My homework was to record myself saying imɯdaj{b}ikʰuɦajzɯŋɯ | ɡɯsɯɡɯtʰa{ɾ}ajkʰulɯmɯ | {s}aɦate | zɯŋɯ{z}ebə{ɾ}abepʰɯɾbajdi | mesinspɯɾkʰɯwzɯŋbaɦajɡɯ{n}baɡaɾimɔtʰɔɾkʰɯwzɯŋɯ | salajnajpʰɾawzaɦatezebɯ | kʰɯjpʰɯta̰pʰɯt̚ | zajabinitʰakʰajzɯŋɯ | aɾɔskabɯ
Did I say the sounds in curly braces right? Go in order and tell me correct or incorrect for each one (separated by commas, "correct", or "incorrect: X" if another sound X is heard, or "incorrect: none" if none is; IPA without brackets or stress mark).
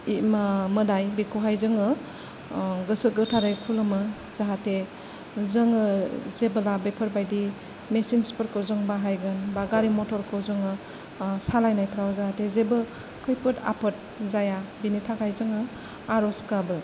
correct, correct, incorrect: z, correct, incorrect: l, correct